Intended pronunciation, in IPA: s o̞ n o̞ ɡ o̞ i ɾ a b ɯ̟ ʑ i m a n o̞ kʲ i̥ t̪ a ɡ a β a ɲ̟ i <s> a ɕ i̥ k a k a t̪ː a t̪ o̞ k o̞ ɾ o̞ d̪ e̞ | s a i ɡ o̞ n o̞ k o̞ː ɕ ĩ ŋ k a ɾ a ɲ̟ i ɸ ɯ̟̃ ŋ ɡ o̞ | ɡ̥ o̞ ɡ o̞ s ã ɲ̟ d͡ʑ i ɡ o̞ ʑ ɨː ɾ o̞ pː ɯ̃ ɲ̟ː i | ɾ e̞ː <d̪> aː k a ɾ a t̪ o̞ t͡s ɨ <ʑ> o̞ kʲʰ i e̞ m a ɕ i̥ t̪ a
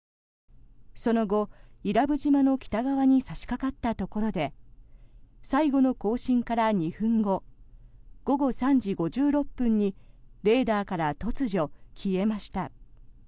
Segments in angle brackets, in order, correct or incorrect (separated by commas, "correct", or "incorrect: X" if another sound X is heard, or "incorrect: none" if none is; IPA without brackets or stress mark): correct, correct, correct